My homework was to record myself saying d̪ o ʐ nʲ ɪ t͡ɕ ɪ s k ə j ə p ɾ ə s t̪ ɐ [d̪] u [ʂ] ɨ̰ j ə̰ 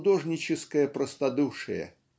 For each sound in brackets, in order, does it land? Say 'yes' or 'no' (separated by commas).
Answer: yes, yes